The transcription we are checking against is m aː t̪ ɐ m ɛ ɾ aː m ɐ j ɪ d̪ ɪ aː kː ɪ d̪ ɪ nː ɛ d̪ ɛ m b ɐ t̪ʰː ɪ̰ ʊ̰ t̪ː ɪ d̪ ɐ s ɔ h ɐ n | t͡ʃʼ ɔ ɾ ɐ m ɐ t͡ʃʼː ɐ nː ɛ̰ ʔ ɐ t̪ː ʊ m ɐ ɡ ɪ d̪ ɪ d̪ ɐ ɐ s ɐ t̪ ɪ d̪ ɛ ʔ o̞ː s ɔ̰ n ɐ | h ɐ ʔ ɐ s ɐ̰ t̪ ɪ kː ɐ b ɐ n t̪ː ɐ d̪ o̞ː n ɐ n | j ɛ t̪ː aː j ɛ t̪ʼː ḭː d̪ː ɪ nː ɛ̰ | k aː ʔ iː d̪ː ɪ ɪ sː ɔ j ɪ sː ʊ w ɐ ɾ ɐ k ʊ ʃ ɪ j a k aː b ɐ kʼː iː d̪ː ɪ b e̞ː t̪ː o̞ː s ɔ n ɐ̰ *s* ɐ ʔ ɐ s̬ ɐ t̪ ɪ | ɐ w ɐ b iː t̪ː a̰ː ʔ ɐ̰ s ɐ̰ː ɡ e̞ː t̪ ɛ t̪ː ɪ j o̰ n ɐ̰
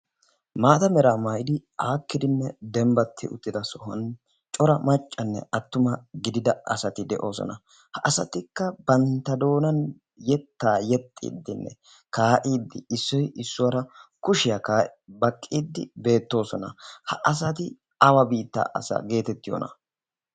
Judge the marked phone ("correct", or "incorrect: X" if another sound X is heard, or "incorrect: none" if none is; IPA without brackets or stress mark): incorrect: h